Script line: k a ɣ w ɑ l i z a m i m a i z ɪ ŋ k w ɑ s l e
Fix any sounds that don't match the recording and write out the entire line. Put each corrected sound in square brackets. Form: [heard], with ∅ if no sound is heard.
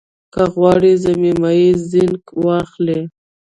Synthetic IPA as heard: k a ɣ w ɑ [ɽ] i z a m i m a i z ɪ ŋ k w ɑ [x] l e